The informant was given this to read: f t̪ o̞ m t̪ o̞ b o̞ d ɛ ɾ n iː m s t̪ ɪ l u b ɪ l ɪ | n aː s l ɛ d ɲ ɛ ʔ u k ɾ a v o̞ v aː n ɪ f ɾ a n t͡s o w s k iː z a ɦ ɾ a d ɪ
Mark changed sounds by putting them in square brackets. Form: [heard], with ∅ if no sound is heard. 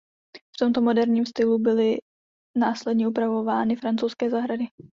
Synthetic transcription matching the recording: f t̪ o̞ m t̪ o̞ [m] o̞ d ɛ ɾ [ɲ] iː m s t̪ ɪ l u b ɪ l ɪ | n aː s l ɛ d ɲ ɛ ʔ u [p] ɾ a v o̞ v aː n ɪ f ɾ a n t͡s o w s k [ɛː] z a ɦ ɾ a d ɪ

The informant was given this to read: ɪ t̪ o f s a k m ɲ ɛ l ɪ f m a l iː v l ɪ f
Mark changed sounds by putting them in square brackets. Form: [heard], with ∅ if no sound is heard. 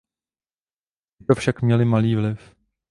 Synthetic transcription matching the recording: ɪ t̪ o f [ʃ] a k m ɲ ɛ l ɪ [∅] m a l iː v l ɪ f

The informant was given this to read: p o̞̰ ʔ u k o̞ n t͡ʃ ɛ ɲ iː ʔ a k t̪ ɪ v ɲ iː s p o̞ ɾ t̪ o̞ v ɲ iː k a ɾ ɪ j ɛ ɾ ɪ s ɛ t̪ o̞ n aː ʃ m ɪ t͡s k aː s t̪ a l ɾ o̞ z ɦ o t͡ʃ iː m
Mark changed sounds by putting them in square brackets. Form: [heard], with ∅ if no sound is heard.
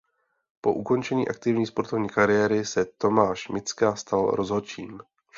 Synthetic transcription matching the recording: p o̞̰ ʔ u k o̞ n t͡ʃ ɛ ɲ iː ʔ a k t̪ ɪ v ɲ iː s p o̞ ɾ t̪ o̞ v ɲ iː k a ɾ ɪ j ɛ ɾ ɪ s ɛ t̪ o̞ [m] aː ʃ m ɪ t͡s k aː s t̪ a l ɾ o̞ z ɦ o t͡ʃ iː m

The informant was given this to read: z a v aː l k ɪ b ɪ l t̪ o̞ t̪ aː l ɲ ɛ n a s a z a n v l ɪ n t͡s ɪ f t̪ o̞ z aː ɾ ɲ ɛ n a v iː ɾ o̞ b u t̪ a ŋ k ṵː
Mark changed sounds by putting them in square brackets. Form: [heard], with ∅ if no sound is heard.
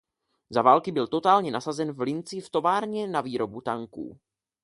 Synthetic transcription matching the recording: z a v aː l k ɪ b ɪ l t̪ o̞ t̪ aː l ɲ ɛ n a s a z [ɛ] n v l ɪ n t͡s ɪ f t̪ o̞ [v] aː ɾ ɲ ɛ n a v iː ɾ o̞ b u t̪ a ŋ k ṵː

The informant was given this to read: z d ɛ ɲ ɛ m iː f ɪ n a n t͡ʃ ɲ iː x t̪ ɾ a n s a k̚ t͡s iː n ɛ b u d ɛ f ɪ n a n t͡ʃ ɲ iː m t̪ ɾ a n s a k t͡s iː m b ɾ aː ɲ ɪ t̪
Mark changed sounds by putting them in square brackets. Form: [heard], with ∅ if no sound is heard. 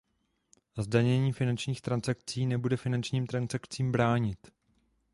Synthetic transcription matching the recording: z d [a] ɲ ɛ [ɲ] iː f ɪ n a n t͡ʃ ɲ iː x t̪ ɾ a n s a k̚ t͡s iː n ɛ b u d ɛ f ɪ n a n t͡ʃ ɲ iː m t̪ ɾ a n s a k t͡s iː m b ɾ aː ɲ ɪ t̪

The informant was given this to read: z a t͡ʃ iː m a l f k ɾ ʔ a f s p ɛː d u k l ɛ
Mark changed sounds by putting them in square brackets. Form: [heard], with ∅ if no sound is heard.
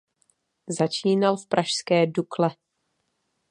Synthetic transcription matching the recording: z a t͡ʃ iː [n] a l f [p] ɾ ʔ a [ʃ] s [k] ɛː d u k l ɛ

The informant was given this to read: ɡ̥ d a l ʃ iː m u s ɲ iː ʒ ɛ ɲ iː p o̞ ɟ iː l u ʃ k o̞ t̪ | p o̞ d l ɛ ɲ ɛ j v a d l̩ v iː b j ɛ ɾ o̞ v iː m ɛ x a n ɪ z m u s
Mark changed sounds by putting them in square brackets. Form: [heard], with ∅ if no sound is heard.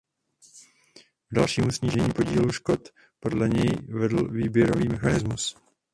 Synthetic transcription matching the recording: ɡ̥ d a l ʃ iː m u s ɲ iː ʒ ɛ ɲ iː p o̞ ɟ iː l u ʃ k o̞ t̪ | p o̞ d l ɛ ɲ ɛ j v [ɛ] d l̩ v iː b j ɛ ɾ o̞ v iː m ɛ x a n ɪ z m u s

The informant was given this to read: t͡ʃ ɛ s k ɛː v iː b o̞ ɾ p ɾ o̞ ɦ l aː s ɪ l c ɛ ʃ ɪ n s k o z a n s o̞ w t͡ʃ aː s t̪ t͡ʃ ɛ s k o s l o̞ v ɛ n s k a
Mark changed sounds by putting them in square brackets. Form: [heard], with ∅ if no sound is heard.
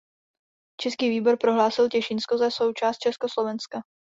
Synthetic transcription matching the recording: t͡ʃ ɛ s k [iː] v iː b o̞ ɾ p ɾ o̞ ɦ l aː s ɪ l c ɛ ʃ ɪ n s k o z a [∅] s o̞ w t͡ʃ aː s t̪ t͡ʃ ɛ s k o s l o̞ v ɛ n s k a

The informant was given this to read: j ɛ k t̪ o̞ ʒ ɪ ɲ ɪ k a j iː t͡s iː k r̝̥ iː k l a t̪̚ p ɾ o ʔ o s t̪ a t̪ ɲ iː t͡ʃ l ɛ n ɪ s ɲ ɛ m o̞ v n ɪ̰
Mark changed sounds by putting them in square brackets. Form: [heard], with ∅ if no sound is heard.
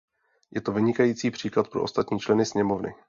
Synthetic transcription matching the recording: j ɛ [∅] t̪ o̞ [v] ɪ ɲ ɪ k a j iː t͡s iː [p] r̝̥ iː k l a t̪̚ p ɾ o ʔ o s t̪ a t̪ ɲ iː t͡ʃ l ɛ n ɪ s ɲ ɛ m o̞ v n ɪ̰

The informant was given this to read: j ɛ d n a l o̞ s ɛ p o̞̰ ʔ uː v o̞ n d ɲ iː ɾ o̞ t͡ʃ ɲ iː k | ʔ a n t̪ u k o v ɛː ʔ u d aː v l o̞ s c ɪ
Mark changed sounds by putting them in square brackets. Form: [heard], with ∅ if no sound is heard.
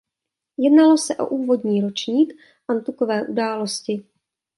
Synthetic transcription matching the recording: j ɛ d n a l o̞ s ɛ [ʔ] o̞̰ ʔ uː v o̞ [∅] d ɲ iː ɾ o̞ t͡ʃ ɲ iː k | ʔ a n t̪ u k o v ɛː ʔ u d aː [∅] l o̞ s c ɪ

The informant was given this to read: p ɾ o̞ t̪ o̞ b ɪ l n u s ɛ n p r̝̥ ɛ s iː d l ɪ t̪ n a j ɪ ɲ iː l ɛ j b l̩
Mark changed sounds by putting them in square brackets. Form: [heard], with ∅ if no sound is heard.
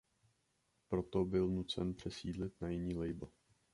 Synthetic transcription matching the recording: p ɾ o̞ t̪ o̞ b ɪ l n u [t͡s] ɛ n p r̝̥ ɛ s iː d l ɪ t̪ n a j ɪ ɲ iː l ɛ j b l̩

